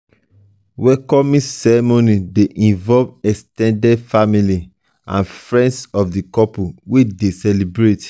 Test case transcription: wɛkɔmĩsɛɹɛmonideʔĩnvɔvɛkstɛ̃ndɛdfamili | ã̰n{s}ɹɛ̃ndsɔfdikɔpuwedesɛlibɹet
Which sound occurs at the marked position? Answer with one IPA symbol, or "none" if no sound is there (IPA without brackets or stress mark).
f